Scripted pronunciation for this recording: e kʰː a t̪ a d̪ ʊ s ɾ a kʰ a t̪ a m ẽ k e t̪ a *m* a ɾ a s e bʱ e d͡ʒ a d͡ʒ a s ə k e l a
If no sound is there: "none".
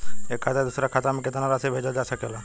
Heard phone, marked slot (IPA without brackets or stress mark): n